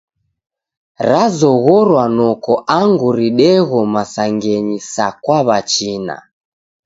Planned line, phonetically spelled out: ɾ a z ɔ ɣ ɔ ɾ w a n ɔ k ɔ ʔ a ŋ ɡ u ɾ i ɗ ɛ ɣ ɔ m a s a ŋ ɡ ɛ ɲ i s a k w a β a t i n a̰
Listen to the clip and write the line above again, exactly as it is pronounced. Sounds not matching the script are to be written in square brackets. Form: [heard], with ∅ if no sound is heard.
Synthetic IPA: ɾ a z ɔ ɣ ɔ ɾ w a n ɔ k ɔ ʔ a ŋ ɡ u ɾ i ɗ ɛ ɣ ɔ m a s a ŋ ɡ ɛ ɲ i s a k w a β a [t͡ʃ] i n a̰